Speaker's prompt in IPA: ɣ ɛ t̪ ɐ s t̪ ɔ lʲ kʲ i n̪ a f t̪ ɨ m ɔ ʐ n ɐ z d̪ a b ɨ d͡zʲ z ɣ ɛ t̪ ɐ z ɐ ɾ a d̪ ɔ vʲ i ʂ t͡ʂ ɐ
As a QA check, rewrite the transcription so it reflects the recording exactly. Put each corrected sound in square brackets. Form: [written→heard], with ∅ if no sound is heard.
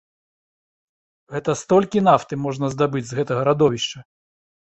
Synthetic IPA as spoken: ɣ ɛ t̪ ɐ s t̪ ɔ lʲ kʲ i n̪ a f t̪ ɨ m ɔ ʐ n ɐ z d̪ a b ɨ d͡zʲ z ɣ ɛ t̪ ɐ [z→ɣ] ɐ ɾ a d̪ ɔ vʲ i ʂ t͡ʂ ɐ